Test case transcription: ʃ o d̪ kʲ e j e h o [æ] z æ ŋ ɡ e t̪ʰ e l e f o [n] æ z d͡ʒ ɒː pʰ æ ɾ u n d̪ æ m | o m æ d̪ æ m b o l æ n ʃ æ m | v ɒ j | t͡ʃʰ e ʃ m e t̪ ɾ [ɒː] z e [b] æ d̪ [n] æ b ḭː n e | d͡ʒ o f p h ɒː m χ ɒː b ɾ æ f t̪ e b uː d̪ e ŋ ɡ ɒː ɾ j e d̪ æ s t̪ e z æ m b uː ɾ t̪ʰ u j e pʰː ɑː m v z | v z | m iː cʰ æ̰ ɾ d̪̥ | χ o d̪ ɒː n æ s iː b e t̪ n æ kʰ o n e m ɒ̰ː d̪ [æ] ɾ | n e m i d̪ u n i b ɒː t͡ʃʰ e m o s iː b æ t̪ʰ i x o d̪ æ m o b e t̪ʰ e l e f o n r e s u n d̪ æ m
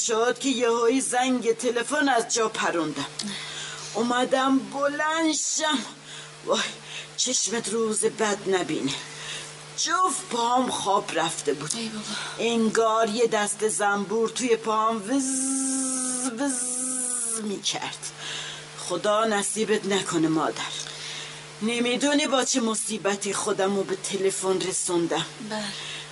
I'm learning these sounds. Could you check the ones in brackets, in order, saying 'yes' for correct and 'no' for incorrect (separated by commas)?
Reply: no, yes, no, yes, yes, yes